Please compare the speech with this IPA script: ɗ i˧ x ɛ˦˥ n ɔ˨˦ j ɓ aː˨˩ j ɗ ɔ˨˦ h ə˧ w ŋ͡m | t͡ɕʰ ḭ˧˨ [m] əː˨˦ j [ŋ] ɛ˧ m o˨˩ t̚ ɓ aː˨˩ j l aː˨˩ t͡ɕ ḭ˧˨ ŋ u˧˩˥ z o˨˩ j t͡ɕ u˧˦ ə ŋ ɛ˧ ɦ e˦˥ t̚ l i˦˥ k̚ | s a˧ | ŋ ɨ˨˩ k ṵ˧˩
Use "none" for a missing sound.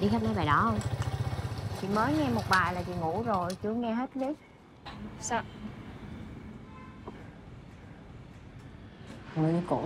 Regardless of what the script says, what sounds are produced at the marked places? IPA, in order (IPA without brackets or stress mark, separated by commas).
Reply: m, ŋ